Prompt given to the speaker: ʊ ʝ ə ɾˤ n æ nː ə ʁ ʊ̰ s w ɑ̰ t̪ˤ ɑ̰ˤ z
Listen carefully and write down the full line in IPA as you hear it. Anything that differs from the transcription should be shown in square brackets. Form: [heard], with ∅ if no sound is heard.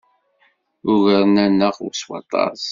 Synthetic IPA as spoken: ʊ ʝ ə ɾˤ n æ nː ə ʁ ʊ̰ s w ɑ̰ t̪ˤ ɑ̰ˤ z